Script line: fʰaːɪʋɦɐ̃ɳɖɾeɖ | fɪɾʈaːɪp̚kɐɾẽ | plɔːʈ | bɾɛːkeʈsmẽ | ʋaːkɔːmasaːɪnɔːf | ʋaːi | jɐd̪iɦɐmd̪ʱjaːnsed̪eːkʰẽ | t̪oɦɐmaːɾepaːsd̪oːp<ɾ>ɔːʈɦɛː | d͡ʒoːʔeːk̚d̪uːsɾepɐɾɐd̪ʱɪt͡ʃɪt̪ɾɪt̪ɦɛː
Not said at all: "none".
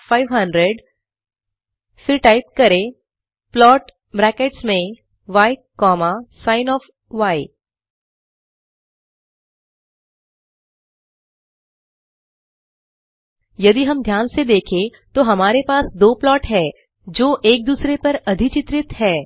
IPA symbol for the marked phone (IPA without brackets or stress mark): l